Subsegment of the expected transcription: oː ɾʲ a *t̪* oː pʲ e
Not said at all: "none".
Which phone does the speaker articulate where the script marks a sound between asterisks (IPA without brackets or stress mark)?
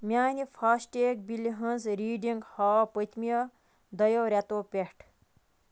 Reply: t̪